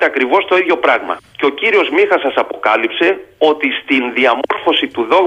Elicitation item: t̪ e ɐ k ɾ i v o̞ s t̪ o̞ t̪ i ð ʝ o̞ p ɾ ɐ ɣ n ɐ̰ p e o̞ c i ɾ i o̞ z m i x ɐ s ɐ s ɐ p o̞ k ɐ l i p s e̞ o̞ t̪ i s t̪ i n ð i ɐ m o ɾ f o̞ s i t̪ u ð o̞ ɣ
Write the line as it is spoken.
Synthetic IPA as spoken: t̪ e ɐ k ɾ i v o̞ s t̪ o̞ i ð ʝ o̞ p ɾ ɐ ɣ m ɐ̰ c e o̞ c i ɾ i o̞ z m i x ɐ s ɐ s ɐ p o̞ k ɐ l i p s e̞ o̞ t̪ i s t̪ i n ð i ɐ m o ɾ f o̞ s i t̪ u ð o̞ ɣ